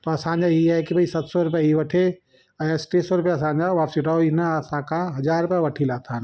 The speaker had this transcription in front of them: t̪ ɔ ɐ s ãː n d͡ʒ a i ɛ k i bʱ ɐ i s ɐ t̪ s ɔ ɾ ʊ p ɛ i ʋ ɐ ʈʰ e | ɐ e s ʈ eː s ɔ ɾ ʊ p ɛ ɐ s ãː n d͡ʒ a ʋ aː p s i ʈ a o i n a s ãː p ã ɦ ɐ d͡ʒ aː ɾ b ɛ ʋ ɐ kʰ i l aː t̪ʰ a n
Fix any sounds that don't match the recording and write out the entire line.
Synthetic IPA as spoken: t̪ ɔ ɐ s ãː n d͡ʒ a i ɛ k i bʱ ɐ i s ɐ t̪ s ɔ ɾ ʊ p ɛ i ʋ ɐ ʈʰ e | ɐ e s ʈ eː s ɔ ɾ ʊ p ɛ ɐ s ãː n d͡ʒ a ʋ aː p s i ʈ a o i n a s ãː k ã ɦ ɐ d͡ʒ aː ɾ p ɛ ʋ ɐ ʈʰ i l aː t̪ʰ a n